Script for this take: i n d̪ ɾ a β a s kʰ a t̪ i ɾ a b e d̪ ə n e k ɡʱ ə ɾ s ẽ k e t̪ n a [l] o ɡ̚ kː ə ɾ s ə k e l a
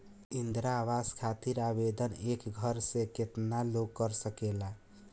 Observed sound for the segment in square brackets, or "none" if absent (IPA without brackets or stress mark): l